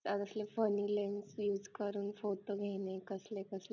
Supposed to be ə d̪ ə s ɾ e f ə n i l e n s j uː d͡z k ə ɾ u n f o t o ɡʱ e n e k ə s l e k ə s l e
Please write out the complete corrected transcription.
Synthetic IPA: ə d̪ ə s l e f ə n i l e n s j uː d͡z k ə ɾ uː n f o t o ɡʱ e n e k ə s l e k ə s l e

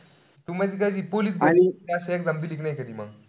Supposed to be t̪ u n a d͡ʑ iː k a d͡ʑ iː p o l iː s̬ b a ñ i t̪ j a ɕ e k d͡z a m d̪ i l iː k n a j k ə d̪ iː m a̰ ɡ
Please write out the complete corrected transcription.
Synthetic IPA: t̪ u m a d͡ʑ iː k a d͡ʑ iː p o l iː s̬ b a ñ i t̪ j a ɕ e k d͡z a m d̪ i l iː k n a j k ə d̪ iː m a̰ ɡ

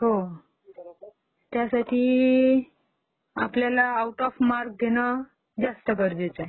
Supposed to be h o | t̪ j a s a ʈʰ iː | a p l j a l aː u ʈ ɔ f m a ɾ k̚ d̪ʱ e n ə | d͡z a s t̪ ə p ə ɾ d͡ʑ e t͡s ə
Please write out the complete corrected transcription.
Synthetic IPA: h o | t̪ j a s a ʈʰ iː | a p l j a l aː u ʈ ɔ f m a ɾ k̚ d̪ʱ e n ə | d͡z a s t̪ ə k ə ɾ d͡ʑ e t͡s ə

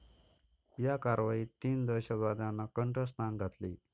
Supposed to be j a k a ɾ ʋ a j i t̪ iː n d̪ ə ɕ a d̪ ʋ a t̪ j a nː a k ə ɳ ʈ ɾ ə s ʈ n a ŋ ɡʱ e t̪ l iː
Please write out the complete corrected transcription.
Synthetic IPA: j a k a ɾ ʋ a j i t̪ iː n d̪ ə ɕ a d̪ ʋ a d̪ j a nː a k ə ɳ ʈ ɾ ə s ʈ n a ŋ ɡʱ a t̪ l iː

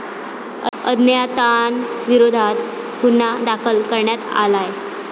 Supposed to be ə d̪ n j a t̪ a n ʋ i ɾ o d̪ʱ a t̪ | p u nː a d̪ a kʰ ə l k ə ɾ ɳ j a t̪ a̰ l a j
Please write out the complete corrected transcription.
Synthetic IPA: ə d̪ n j a t̪ a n ʋ i ɾ o d̪ʱ a t̪ | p u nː a d̪ a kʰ ə l k ə ɾ ɳ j a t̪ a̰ l a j

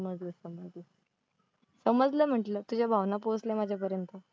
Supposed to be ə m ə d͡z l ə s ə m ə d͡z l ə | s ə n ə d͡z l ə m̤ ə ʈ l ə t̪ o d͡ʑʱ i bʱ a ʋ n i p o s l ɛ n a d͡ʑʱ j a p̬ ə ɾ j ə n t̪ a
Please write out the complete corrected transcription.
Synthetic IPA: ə m ə d͡z l ə s ə m ə d͡z l ə | s ə m ə d͡z l ə m̤ ə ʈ l ə t̪ u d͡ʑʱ a bʱ a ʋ n a p o s l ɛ m a d͡ʑʱ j a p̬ ə ɾ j ə n t̪ ə

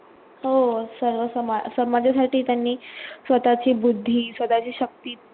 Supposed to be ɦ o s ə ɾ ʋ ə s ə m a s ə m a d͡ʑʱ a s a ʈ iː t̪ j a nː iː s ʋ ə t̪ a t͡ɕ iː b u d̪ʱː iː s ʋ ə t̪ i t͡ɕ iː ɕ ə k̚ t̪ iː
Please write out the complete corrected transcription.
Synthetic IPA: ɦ o s ə ɾ ʋ ə s ə m a s ə m a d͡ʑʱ a s a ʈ iː t̪ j a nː iː s ʋ ə t̪ a t͡ɕ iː b u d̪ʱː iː s ʋ ə t̪ a t͡ɕ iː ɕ ə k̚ t̪ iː

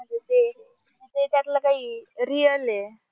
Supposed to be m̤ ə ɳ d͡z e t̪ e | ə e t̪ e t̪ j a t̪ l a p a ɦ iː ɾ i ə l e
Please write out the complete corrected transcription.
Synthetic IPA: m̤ ə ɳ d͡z e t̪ e | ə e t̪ e t̪ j a t̪ l a k a ɦ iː ɾ i ə l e

